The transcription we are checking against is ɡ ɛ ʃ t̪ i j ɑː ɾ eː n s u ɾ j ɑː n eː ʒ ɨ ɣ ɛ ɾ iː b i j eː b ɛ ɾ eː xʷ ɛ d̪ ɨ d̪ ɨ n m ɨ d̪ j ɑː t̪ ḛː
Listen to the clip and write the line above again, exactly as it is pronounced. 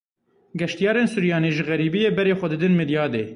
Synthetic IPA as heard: ɡ ɛ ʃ t̪ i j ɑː ɾ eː n s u ɾ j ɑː n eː ʒ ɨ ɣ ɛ ɾ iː b i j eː b ɛ ɾ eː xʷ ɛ d̪ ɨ d̪ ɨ n m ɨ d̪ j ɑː d̪ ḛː